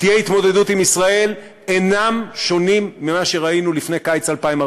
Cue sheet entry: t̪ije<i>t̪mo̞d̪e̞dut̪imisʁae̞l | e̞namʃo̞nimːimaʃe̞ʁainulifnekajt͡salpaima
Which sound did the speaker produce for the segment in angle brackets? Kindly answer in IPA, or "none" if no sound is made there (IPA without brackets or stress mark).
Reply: i